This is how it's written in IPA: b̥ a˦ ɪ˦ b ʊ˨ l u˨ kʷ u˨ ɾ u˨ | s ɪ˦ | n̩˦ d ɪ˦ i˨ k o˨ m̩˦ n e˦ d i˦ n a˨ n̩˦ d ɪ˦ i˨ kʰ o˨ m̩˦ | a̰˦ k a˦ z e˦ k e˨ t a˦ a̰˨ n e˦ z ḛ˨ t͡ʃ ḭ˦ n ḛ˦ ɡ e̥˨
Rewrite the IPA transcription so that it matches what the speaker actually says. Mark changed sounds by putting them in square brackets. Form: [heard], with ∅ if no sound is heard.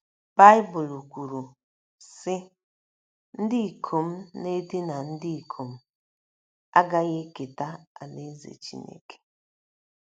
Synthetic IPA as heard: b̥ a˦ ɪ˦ b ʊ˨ l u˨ kʷ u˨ ɾ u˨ | s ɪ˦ | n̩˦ d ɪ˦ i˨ [kʰ] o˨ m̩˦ n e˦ d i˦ n a˨ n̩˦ d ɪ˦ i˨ kʰ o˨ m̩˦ | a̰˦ [ɡ] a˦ [ɣ] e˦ k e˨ t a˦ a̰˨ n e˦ z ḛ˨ t͡ʃ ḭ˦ n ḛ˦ [k] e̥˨